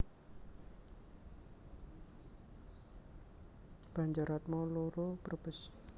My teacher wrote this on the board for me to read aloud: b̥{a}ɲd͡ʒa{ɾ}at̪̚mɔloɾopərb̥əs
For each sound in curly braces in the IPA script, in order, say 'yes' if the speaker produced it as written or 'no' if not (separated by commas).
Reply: yes, yes